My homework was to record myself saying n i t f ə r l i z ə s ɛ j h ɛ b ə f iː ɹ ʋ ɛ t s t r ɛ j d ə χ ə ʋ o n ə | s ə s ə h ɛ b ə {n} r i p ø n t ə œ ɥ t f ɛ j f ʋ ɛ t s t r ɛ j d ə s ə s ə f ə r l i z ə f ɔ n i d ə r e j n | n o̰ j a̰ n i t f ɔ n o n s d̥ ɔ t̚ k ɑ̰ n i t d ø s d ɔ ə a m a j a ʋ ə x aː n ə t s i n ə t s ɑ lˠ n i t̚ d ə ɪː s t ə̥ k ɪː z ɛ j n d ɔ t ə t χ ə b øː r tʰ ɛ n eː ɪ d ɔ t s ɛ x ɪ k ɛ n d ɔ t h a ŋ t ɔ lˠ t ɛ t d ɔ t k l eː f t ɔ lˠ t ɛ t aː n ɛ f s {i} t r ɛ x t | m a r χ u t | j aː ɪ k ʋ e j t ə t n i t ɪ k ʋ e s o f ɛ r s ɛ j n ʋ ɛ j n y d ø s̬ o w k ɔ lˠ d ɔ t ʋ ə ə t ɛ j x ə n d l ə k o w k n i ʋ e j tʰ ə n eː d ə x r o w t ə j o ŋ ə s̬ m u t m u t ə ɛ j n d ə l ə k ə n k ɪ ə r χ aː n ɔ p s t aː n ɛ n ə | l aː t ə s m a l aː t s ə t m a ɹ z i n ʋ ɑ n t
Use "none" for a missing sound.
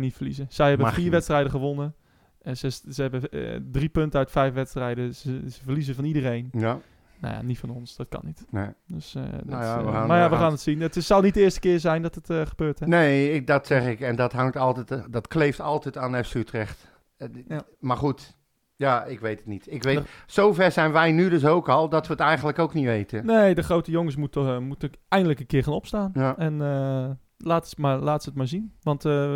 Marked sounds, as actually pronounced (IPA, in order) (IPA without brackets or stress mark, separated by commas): d, y